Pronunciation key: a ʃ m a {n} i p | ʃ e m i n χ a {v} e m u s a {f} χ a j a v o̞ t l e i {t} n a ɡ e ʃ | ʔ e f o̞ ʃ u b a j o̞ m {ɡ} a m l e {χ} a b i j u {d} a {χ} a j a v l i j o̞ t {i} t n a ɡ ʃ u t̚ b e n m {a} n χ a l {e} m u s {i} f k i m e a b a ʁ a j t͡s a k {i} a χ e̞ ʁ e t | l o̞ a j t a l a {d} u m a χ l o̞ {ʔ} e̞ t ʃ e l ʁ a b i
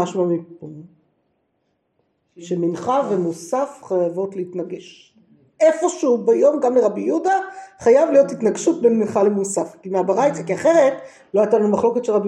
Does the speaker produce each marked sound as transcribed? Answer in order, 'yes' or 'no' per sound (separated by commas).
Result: no, yes, yes, yes, yes, no, yes, yes, yes, no, yes, no, yes, no, no